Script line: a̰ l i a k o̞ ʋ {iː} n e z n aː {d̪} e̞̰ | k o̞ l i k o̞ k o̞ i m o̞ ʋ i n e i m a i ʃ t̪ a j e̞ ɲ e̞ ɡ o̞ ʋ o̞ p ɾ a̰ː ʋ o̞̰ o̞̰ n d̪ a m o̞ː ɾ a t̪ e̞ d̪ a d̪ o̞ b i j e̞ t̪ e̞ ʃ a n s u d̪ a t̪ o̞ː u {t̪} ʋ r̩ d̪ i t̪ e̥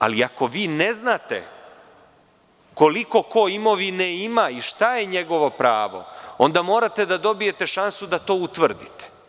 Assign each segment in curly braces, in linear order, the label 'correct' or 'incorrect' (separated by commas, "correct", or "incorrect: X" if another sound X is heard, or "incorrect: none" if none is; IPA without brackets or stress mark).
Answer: correct, incorrect: t̪, correct